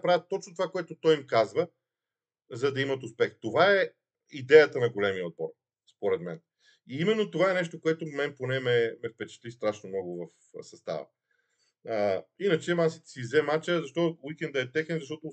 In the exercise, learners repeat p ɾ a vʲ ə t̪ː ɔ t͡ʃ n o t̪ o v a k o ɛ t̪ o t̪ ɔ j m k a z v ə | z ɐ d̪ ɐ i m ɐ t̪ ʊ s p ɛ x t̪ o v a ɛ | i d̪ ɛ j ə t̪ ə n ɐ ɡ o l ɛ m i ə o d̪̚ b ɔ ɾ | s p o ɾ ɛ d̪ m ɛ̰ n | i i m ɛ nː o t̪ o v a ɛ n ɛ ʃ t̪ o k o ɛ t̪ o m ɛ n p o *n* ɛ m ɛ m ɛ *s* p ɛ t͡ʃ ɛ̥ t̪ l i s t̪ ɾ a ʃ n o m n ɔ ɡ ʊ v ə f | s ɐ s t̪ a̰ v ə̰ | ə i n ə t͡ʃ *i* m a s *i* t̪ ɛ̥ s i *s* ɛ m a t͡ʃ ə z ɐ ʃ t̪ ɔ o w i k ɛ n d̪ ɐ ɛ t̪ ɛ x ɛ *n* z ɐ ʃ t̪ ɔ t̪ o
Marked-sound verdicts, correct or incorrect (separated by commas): correct, incorrect, incorrect, correct, incorrect, correct